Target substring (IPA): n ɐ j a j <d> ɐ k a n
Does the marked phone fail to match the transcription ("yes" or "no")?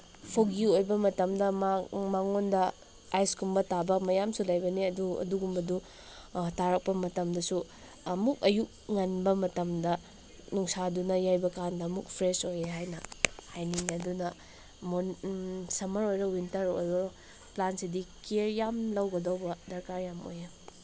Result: yes